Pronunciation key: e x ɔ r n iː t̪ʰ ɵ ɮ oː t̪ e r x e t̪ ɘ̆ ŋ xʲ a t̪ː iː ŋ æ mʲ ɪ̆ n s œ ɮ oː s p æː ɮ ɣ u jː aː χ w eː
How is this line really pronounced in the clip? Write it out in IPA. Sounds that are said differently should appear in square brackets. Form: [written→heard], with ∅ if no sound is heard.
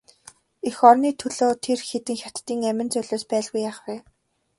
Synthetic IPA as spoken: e x ɔ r n iː t̪ʰ ɵ ɮ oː [t̪→t̪ʰ] e r x e t̪ ɘ̆ ŋ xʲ a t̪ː iː ŋ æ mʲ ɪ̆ n [s→t͡s] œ ɮ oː s p æː ɮ ɣ u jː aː χ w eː